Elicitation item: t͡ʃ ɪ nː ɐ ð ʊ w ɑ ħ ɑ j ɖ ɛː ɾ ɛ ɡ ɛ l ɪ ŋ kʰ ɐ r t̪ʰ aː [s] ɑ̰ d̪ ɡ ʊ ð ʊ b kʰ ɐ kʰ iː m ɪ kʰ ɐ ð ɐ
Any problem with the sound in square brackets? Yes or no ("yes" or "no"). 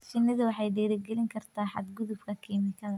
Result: yes